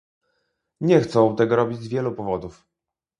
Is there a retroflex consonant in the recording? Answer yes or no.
no